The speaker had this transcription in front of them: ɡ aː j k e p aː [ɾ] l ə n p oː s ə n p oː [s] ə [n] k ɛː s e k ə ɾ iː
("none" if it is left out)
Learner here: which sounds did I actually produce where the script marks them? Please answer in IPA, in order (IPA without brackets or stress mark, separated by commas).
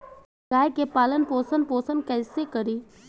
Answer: none, s, n